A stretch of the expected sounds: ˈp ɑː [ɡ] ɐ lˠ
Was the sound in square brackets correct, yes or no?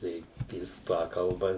no